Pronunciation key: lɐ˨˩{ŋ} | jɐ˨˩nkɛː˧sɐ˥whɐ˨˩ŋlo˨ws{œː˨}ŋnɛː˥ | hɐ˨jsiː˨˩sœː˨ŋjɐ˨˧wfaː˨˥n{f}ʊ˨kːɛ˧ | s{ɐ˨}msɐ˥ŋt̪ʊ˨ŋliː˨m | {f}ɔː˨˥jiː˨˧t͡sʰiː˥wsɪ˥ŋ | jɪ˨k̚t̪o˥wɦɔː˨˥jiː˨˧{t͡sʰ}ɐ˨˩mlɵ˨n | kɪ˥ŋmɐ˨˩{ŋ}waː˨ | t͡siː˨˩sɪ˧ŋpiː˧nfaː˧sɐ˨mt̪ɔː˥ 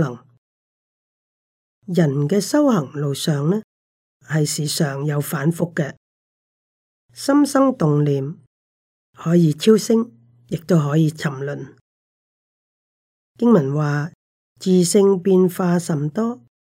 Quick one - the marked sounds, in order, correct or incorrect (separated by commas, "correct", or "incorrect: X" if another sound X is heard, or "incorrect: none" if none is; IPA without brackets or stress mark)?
correct, correct, correct, incorrect: ɐ˥, incorrect: h, correct, incorrect: n